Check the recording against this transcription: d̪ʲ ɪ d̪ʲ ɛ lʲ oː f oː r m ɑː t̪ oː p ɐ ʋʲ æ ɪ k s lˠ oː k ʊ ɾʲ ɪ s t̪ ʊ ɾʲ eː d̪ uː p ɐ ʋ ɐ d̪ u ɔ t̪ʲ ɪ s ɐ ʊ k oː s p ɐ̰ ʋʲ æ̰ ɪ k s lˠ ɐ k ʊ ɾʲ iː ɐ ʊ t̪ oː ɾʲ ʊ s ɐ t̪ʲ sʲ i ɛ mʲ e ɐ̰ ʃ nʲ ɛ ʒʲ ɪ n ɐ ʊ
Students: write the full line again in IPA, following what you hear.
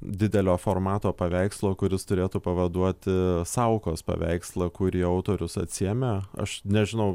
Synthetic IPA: d̪ʲ ɪ d̪ʲ ɛ lʲ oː f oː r m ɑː t̪ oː p ɐ ʋʲ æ ɪ k s lˠ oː k ʊ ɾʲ ɪ s t̪ ʊ ɾʲ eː t̪ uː p ɐ ʋ ɐ d̪ u ɔ t̪ʲ ɪ s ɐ ʊ k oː s p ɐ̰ ʋʲ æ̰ ɪ k s lˠ ɐ k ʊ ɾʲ iː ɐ ʊ t̪ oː ɾʲ ʊ s ɐ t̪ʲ sʲ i ɛ mʲ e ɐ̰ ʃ nʲ ɛ ʒʲ ɪ n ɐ ʊ

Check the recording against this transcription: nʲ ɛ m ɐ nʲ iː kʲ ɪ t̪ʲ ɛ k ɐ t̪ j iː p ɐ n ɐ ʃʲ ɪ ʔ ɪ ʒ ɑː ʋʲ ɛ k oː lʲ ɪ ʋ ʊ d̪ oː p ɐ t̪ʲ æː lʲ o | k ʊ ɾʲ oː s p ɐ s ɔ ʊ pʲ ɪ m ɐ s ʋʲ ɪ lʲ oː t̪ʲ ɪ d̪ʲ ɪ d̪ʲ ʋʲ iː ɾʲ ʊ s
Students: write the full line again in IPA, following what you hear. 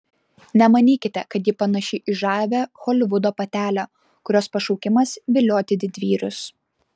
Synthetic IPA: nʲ ɛ m ɐ nʲ iː kʲ ɪ t̪ʲ ɛ k ɐ t̪ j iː p ɐ n ɐ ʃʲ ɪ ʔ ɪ ʒ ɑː ʋʲ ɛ x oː lʲ ɪ ʋ ʊ d̪ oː p ɐ t̪ʲ æː lʲ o | k ʊ ɾʲ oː s p ɐ ʃ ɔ ʊ kʲ ɪ m ɐ s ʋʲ ɪ lʲ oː t̪ʲ ɪ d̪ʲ ɪ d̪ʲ ʋʲ iː ɾʲ ʊ s

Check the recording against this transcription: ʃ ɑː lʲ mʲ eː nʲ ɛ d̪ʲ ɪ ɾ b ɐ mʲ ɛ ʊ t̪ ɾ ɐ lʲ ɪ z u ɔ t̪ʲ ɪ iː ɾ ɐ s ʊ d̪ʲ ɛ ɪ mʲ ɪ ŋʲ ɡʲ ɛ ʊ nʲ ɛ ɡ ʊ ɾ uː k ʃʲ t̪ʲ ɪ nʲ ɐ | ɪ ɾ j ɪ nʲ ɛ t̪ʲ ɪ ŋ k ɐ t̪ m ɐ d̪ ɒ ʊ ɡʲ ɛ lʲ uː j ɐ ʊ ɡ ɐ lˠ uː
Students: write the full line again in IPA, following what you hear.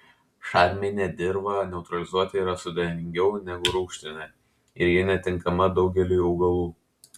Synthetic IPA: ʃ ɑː ɾʲ mʲ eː nʲ ɛ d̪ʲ ɪ ɾ b ɐ nʲ ɛ ʊ t̪ ɾ ɐ lʲ ɪ z u ɔ t̪ʲ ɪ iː ɾ ɐ s ʊ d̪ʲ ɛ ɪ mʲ ɪ ŋʲ ɡʲ ɛ ʊ nʲ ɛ ɡ ʊ ɾ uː k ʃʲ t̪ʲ ɪ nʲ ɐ | ɪ ɾ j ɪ nʲ ɛ t̪ʲ ɪ ŋ k ɐ m ɐ d̪ ɒ ʊ ɡʲ ɛ lʲ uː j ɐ ʊ ɡ ɐ lˠ uː

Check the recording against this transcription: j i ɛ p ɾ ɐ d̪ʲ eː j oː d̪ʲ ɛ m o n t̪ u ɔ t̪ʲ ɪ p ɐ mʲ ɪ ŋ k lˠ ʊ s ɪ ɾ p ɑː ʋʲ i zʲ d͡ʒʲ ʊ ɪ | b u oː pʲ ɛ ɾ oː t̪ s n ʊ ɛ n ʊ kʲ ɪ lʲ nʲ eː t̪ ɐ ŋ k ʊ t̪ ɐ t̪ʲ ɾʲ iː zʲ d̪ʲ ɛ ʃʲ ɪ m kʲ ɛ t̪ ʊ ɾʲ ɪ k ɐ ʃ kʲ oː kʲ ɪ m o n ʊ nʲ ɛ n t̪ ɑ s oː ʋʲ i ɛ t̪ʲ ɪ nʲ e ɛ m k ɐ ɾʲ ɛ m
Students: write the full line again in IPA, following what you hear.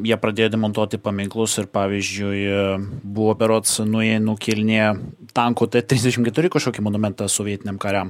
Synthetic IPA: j i ɛ p ɾ ɐ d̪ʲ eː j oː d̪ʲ ɛ m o n t̪ u ɔ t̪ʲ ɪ p ɐ mʲ ɪ ŋ k lˠ ʊ s ɪ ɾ p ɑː ʋʲ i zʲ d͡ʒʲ ʊ ɪ | b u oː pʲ ɛ ɾ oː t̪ s n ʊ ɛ n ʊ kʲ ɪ lʲ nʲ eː t̪ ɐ ŋ k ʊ t̪ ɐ t̪ʲ ɾʲ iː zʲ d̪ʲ ɛ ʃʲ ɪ m kʲ ɛ t̪ ʊ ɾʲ ɪ k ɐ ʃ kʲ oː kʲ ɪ m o n ʊ mʲ ɛ n t̪ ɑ s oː ʋʲ i ɛ t̪ʲ ɪ nʲ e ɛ m k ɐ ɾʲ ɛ m

